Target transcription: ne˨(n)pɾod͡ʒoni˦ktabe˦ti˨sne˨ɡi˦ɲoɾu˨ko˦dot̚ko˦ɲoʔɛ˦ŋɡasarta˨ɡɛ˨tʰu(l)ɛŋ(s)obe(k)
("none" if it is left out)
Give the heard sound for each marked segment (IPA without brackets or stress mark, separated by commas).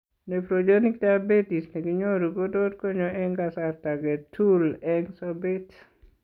none, l, s, t